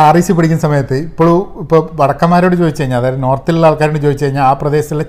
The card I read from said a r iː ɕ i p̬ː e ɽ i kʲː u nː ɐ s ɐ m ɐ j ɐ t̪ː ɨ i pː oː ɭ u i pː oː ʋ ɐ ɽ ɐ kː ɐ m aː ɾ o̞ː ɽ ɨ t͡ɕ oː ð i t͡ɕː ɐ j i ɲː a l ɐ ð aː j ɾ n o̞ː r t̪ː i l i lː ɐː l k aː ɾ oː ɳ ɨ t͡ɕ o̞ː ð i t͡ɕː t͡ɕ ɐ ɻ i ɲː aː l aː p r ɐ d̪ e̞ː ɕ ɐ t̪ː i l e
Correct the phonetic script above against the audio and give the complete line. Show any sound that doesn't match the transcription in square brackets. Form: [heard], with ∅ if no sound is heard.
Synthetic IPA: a r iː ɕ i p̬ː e ɽ i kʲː u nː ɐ s ɐ m ɐ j ɐ t̪ː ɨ i pː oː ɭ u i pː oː ʋ ɐ ɽ ɐ kː ɐ m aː ɾ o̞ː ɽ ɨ t͡ɕ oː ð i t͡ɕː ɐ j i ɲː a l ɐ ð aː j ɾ n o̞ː r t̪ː i l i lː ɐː l k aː ɾ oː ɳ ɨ t͡ɕ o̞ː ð i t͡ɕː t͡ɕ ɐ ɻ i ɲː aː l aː p r ɐ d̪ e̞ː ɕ ɐ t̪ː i l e